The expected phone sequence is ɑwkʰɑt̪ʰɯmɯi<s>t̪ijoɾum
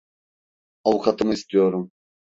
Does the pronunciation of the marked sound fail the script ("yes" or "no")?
no